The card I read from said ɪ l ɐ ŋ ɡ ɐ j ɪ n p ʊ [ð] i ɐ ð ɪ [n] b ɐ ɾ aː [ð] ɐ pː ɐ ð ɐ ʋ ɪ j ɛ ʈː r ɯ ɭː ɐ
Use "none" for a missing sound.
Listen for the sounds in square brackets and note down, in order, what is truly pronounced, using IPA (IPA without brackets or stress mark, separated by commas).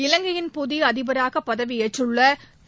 ð, none, ɣ